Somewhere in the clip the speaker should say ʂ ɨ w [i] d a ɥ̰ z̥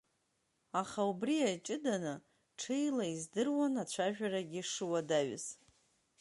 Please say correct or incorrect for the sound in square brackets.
incorrect